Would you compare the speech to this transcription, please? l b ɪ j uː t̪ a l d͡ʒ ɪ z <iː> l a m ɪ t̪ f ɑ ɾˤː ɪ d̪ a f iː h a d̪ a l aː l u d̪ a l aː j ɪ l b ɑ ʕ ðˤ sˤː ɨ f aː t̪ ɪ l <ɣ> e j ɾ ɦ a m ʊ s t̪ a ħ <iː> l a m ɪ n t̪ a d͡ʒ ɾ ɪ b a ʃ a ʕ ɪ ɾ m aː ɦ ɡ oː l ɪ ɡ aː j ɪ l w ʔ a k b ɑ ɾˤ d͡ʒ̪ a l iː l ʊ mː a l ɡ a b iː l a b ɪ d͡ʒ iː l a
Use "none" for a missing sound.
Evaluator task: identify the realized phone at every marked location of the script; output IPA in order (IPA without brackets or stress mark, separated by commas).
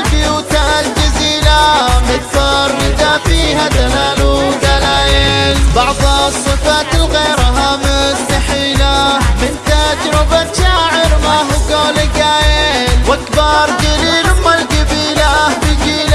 iː, ɣ, iː